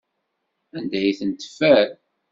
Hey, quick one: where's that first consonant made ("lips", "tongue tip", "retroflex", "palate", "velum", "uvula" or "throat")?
tongue tip